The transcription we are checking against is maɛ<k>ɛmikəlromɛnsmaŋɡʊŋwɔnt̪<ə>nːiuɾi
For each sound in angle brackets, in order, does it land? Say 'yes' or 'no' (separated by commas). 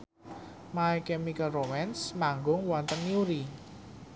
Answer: yes, yes